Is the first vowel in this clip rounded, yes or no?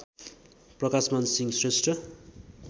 no